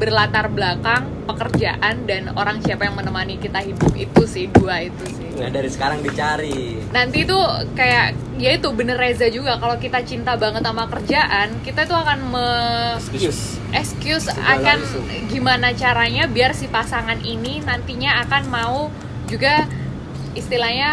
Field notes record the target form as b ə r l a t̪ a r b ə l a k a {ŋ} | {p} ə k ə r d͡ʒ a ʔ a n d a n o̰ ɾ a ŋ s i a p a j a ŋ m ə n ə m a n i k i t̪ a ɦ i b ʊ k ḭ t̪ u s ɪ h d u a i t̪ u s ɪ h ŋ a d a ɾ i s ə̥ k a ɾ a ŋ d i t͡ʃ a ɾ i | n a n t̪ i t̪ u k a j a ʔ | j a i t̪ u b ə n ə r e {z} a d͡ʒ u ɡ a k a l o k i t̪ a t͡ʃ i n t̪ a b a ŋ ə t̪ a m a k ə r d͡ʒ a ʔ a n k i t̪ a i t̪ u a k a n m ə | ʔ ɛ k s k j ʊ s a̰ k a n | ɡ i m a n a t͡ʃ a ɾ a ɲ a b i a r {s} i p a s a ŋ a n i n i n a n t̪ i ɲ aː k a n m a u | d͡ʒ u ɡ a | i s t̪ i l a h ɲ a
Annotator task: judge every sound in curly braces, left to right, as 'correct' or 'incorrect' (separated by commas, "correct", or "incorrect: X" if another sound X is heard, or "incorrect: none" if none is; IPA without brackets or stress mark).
correct, correct, correct, correct